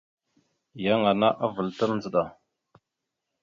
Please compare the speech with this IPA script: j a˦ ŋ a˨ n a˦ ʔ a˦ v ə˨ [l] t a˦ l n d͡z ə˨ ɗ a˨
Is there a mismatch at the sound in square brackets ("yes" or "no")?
no